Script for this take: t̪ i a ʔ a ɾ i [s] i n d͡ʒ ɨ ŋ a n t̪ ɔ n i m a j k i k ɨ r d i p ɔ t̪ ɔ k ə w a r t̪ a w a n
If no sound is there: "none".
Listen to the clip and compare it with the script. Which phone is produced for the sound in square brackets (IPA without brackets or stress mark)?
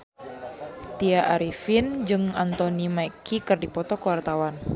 f